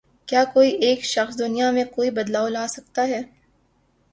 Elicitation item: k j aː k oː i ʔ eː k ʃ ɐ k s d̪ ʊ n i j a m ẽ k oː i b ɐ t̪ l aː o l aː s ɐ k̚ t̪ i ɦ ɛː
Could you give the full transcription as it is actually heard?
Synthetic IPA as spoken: k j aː k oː i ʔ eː k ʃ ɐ x s d̪ ʊ n i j a m ẽ k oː i b ɐ d̪ l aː o l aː s ɐ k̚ t̪ a ɦ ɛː